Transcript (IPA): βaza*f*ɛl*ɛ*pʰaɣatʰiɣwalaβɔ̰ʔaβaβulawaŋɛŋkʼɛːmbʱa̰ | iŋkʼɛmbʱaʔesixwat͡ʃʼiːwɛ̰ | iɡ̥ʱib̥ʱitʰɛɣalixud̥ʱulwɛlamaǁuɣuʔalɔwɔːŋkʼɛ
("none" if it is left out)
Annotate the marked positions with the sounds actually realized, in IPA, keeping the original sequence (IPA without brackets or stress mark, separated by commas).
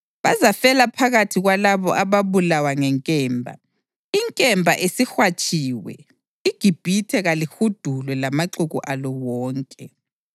f, a